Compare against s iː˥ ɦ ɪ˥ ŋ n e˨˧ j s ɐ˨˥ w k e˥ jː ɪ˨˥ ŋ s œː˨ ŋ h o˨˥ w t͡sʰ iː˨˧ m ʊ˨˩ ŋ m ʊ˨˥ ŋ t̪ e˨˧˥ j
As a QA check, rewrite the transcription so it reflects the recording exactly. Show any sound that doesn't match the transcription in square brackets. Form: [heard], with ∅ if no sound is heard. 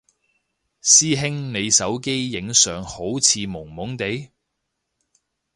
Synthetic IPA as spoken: s iː˥ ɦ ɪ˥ ŋ n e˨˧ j s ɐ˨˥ w k e˥ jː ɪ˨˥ ŋ s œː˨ ŋ h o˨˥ w t͡sʰ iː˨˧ m ʊ˨˩ ŋ m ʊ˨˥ ŋ t̪ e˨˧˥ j